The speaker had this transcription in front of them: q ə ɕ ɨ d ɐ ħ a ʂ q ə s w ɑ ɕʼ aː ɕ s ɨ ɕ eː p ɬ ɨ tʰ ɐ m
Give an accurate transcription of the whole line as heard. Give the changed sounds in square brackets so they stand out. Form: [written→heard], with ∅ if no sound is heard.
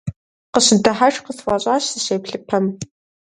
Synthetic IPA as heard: q ə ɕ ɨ d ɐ ħ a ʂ q ə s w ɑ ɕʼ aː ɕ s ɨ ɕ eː p ɬ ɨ [tʰ→pʰ] ɐ m